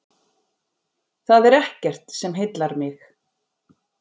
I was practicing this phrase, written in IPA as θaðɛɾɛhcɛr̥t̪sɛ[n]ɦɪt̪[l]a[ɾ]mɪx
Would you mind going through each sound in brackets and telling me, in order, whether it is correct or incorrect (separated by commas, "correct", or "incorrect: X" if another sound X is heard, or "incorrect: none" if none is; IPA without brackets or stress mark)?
incorrect: m, correct, correct